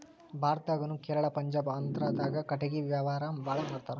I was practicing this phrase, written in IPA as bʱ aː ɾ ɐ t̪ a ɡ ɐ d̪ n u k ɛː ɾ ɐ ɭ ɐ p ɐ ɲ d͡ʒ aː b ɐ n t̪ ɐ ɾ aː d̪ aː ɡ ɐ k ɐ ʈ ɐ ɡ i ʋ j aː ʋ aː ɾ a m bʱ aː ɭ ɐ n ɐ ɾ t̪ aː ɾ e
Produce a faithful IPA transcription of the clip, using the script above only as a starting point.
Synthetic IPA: bʱ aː ɾ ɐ t̪ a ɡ ɐ n u k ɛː ɾ ɐ ɭ ɐ p ɐ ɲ d͡ʒ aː b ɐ n t̪ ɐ ɾ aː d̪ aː ɡ ɐ k ɐ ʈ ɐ ɡ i ʋ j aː ʋ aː ɾ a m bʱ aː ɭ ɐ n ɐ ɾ t̪ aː ɾ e